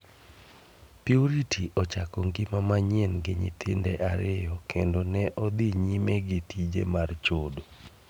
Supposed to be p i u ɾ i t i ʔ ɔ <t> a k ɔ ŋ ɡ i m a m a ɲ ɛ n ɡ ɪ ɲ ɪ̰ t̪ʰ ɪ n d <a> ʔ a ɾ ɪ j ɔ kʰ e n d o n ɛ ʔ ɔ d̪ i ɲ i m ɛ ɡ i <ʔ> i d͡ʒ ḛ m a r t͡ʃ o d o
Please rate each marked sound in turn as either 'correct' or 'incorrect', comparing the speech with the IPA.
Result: incorrect: t͡ʃ, incorrect: ɛ, incorrect: t

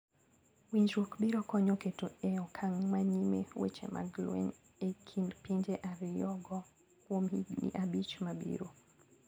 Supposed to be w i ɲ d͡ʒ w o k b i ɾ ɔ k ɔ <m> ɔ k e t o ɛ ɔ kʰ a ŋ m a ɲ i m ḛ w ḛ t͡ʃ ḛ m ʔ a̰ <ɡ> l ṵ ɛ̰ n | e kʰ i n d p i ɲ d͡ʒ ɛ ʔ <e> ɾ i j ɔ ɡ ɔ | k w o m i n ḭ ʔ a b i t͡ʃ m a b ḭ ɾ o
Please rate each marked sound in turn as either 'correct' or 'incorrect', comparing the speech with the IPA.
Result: incorrect: ɲ, correct, incorrect: a

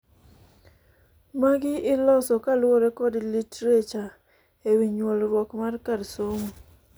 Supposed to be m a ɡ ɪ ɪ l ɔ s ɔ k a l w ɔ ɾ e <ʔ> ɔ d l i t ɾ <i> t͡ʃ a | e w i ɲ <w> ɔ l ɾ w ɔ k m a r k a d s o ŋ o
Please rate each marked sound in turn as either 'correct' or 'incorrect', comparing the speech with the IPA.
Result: incorrect: k, incorrect: e, correct

